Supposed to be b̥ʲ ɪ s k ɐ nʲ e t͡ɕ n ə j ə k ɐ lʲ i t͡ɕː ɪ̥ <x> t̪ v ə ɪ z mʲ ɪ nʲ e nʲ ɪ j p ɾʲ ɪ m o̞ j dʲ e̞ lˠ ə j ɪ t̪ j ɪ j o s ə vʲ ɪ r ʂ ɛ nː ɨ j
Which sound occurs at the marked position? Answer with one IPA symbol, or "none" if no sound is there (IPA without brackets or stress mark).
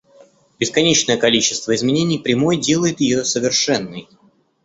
s